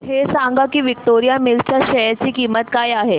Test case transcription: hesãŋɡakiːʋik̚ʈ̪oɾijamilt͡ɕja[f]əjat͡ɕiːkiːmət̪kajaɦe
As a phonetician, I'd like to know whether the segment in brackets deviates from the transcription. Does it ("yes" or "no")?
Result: yes